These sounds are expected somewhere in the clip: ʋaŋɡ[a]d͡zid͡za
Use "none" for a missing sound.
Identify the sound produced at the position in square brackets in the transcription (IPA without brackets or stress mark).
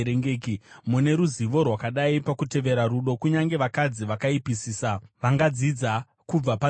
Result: a